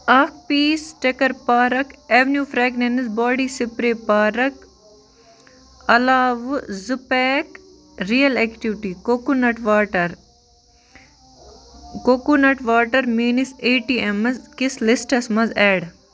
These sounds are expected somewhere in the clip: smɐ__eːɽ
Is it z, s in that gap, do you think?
z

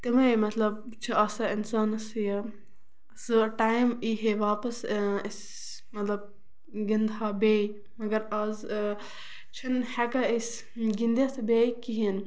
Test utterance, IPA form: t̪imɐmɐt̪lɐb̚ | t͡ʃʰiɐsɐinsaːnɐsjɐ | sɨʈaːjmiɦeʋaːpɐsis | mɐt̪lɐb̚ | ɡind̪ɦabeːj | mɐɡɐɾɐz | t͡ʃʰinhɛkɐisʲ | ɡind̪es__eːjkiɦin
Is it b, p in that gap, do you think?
b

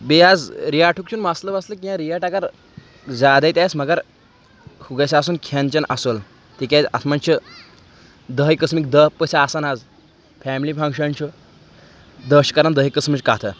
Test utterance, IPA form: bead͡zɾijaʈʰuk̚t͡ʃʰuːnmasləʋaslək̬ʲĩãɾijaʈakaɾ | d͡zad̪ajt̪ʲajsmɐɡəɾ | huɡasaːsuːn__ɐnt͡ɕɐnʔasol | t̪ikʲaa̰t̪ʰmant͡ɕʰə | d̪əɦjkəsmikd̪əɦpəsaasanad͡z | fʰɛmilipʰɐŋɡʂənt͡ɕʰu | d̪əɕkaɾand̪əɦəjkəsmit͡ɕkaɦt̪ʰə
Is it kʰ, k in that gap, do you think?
kʰ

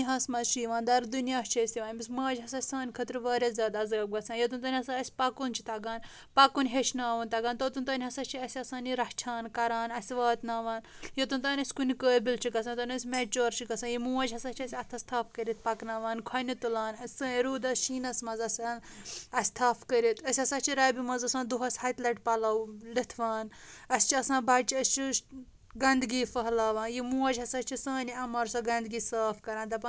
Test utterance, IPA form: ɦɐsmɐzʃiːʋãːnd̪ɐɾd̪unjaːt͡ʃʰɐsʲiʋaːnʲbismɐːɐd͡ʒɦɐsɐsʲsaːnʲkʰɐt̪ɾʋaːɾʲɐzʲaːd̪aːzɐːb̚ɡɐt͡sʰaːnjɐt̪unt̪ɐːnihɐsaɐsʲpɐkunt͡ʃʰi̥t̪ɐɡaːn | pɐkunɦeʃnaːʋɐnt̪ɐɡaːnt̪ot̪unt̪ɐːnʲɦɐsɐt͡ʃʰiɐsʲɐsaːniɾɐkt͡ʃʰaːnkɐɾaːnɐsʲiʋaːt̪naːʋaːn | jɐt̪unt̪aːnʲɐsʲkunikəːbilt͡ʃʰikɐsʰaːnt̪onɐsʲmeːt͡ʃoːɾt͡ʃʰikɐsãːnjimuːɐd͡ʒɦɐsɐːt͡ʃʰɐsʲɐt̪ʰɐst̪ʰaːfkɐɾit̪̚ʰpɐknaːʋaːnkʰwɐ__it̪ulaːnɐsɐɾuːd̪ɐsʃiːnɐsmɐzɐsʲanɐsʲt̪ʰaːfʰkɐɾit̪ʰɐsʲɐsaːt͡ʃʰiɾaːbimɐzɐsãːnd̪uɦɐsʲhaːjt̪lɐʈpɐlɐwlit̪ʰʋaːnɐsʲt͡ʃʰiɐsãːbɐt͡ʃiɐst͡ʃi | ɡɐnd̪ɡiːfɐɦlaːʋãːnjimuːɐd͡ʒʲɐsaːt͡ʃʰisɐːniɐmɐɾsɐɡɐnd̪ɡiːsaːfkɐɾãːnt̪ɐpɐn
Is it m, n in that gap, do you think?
n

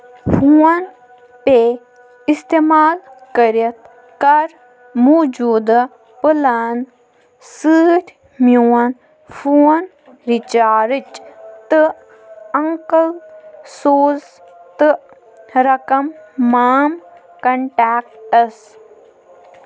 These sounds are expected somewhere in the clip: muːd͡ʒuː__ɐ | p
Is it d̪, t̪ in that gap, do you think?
d̪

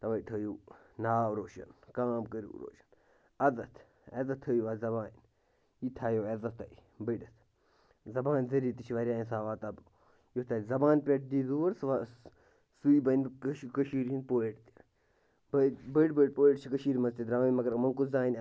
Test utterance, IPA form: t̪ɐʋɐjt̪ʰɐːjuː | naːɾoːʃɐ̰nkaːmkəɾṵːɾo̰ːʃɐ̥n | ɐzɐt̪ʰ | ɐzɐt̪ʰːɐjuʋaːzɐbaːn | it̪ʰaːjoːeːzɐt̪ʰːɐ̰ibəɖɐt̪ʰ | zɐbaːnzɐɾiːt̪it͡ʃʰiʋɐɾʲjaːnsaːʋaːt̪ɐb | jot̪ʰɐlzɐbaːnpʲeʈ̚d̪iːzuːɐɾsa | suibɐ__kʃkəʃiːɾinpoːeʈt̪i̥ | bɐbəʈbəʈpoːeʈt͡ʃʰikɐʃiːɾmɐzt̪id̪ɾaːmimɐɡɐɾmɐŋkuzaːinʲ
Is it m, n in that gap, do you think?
n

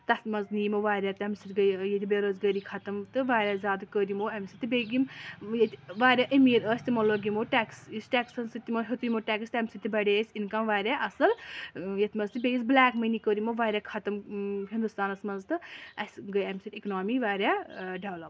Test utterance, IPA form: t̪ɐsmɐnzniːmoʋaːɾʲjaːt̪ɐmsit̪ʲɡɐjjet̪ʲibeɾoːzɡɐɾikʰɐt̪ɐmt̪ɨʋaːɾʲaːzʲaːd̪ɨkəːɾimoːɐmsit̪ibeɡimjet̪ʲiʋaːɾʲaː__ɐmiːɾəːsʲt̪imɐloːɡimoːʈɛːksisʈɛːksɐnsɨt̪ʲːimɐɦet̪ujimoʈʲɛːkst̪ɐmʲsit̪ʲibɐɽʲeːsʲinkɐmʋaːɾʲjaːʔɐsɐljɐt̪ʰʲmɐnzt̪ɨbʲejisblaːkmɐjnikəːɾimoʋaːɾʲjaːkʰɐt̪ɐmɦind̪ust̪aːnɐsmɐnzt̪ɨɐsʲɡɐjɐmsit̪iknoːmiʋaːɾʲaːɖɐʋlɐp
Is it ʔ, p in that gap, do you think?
ʔ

